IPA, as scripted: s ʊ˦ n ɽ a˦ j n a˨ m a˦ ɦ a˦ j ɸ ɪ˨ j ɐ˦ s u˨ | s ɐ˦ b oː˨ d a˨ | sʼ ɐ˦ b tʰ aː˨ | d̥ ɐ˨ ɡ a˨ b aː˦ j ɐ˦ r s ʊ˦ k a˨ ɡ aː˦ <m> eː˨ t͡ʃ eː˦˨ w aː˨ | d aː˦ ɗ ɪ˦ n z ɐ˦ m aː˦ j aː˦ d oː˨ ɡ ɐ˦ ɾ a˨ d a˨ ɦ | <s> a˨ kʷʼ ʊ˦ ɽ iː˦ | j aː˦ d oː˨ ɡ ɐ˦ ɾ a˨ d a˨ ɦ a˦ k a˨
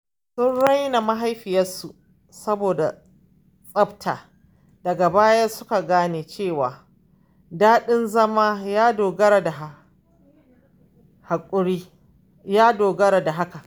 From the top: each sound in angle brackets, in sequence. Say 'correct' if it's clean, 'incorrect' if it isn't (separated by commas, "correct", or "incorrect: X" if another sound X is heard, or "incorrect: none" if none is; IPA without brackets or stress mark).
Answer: incorrect: n, incorrect: h